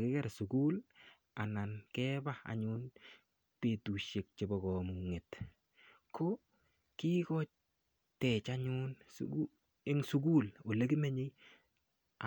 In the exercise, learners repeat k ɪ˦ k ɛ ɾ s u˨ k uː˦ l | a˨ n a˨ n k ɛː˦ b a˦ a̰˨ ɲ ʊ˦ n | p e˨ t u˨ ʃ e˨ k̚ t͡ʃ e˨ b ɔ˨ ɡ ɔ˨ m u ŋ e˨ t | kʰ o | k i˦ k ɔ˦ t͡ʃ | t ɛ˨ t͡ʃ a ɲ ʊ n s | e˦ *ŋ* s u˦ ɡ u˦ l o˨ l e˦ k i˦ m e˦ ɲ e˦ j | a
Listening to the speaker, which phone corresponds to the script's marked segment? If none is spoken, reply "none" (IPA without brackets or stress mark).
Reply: ŋ